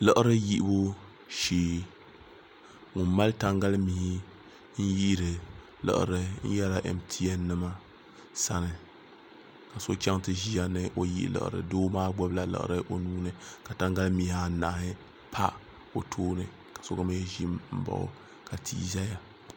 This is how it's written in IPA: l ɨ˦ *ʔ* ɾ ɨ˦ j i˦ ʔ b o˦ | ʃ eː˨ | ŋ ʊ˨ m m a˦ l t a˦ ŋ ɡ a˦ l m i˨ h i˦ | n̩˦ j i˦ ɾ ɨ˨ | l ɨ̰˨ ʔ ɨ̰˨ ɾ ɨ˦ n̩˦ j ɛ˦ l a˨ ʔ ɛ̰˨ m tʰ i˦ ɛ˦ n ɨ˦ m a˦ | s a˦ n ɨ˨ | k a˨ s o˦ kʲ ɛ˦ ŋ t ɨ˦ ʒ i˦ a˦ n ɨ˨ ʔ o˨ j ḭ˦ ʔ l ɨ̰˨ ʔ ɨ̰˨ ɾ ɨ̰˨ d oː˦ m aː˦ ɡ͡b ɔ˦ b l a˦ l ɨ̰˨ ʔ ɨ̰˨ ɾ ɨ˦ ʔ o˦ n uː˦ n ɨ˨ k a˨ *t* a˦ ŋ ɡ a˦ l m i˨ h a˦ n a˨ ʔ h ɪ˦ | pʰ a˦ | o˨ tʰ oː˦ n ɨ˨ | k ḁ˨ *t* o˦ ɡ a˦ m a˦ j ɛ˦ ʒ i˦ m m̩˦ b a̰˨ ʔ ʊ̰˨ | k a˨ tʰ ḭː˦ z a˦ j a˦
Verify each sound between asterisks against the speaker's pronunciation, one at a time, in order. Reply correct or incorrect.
correct, correct, incorrect

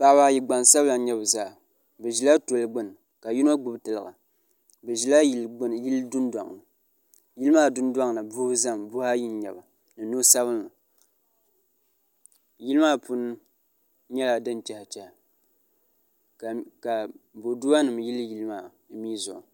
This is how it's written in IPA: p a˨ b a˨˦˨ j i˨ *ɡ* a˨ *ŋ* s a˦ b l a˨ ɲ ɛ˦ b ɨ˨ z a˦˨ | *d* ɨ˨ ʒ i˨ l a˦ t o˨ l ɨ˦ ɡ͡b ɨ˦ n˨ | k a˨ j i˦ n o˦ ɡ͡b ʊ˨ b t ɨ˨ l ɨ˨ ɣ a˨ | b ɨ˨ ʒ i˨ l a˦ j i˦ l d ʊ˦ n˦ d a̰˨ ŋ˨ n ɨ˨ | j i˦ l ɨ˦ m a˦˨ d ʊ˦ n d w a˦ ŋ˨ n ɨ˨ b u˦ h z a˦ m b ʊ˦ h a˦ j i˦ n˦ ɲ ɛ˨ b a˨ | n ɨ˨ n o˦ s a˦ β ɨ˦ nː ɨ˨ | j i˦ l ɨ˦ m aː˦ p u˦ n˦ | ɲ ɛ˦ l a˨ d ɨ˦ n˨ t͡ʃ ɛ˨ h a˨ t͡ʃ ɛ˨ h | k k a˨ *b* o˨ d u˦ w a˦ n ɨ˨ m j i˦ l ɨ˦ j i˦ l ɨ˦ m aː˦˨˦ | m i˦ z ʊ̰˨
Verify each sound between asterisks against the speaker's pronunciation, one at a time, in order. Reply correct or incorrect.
incorrect, incorrect, incorrect, correct

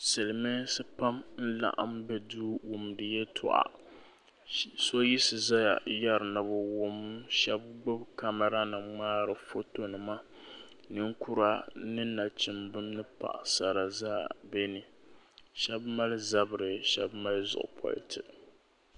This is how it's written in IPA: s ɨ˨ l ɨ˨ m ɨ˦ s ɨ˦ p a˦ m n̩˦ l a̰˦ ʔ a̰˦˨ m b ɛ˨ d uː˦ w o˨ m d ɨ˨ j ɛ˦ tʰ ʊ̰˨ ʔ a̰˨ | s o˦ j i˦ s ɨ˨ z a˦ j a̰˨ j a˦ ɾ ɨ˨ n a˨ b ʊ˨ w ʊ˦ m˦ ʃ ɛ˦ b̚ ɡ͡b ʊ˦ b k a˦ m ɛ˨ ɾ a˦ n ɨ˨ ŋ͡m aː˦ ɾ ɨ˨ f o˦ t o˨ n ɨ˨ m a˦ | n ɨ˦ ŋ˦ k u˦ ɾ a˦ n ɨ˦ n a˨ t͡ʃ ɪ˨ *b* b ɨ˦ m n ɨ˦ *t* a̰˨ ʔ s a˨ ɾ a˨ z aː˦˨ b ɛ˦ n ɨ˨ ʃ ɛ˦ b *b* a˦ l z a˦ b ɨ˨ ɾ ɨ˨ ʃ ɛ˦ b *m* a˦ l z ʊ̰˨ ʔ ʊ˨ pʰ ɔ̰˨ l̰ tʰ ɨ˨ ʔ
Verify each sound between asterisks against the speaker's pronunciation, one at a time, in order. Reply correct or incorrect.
incorrect, incorrect, incorrect, correct

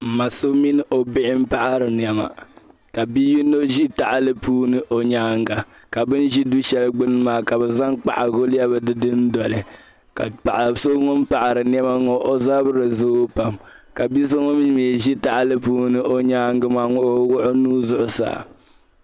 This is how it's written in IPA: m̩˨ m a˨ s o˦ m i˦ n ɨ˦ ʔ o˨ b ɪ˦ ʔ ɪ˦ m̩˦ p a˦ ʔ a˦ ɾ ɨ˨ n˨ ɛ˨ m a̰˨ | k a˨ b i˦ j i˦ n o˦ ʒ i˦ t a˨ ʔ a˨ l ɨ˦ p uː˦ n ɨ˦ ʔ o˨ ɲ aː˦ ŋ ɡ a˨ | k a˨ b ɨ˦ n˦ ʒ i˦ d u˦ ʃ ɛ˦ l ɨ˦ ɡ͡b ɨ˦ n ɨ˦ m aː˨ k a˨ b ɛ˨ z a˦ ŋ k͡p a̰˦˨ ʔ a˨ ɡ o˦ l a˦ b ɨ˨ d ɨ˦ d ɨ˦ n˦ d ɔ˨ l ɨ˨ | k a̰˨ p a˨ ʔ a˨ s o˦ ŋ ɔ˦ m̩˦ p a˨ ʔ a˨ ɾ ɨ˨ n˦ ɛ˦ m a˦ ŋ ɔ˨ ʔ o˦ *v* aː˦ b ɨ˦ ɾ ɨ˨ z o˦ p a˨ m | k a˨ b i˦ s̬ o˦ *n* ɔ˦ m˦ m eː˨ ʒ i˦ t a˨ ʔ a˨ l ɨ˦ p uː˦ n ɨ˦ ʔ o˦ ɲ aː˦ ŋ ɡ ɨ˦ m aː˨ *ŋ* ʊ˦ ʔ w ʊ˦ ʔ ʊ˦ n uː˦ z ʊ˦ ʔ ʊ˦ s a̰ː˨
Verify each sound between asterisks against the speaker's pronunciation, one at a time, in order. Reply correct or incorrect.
incorrect, incorrect, correct

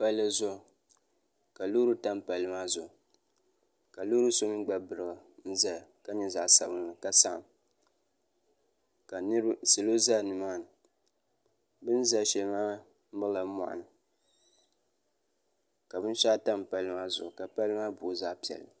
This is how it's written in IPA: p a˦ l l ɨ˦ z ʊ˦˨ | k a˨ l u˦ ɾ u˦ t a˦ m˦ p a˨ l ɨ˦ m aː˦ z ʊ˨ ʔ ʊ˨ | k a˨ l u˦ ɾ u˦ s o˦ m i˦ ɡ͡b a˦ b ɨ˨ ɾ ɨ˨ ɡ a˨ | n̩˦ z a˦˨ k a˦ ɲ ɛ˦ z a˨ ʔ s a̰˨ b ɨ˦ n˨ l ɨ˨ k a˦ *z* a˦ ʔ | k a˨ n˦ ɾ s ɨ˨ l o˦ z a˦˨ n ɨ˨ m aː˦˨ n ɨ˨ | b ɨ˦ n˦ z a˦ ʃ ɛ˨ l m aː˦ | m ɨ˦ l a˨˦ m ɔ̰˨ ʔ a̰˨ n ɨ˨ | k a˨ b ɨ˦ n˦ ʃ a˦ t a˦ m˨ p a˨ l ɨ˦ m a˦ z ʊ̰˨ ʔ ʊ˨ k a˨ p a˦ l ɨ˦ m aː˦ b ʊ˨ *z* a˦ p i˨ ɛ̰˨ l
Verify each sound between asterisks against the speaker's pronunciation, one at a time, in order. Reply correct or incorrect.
incorrect, correct

